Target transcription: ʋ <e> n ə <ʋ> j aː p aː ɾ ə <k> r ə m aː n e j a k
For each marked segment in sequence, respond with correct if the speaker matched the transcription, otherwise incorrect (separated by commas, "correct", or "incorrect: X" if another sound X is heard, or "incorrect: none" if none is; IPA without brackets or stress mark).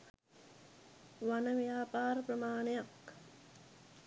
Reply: incorrect: a, correct, incorrect: p